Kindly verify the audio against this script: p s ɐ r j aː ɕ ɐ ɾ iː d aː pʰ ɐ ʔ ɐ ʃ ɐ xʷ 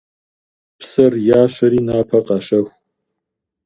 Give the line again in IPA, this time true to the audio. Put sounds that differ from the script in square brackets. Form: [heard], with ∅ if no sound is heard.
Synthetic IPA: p s ɐ r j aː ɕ ɐ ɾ iː [n] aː pʰ ɐ [q] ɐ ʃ ɐ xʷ